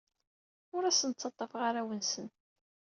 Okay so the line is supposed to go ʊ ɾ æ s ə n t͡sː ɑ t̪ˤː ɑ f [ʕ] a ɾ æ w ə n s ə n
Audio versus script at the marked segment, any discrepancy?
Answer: yes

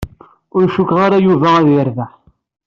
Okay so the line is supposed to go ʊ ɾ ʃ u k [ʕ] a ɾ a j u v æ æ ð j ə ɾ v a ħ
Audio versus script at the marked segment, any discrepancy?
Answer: yes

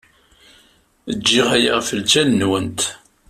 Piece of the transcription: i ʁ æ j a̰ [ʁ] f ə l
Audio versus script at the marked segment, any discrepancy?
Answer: no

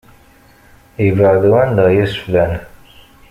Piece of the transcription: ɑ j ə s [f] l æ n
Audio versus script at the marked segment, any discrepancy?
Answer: no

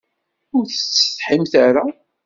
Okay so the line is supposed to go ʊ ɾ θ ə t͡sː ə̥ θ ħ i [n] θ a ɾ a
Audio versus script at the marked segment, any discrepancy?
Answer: yes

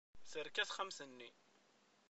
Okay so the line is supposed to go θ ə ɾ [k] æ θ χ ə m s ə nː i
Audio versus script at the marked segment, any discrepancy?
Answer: no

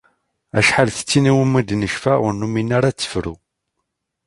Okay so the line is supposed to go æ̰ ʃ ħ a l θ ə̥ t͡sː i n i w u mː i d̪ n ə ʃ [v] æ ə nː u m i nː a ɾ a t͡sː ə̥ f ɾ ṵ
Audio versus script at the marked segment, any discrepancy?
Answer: yes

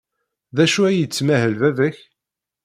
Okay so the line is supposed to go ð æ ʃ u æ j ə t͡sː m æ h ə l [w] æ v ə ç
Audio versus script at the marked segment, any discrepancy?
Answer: yes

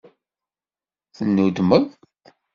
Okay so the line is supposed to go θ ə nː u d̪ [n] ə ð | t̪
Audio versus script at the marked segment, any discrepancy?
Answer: yes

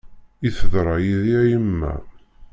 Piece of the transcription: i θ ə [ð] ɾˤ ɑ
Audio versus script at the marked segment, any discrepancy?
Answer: no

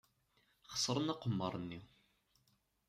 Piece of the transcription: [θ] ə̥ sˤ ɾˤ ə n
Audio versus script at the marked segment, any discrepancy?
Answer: yes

